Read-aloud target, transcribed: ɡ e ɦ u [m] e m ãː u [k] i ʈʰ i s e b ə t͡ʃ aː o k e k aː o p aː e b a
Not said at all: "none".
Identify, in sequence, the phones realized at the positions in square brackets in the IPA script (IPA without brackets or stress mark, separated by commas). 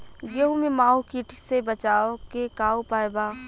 m, k